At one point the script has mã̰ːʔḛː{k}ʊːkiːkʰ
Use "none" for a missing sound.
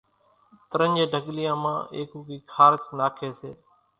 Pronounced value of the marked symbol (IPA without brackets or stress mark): k